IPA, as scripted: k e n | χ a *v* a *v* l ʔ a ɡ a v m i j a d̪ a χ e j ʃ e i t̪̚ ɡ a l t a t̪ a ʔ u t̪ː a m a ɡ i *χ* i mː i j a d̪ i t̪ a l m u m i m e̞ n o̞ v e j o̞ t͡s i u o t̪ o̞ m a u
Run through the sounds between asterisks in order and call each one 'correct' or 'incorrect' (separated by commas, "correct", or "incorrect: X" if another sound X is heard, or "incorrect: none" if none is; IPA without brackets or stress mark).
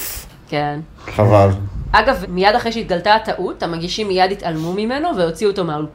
correct, incorrect: none, incorrect: ʃ